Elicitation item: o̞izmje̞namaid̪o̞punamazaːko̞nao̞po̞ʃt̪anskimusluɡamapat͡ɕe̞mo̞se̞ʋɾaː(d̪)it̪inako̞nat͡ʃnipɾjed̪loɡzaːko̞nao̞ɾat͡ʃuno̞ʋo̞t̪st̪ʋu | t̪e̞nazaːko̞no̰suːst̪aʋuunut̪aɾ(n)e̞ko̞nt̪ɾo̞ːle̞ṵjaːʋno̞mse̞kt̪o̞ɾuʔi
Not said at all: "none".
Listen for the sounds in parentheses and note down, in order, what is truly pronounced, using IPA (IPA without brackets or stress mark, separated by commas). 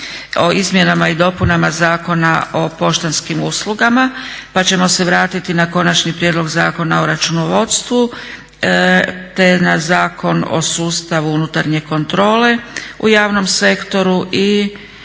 t̪, ɲ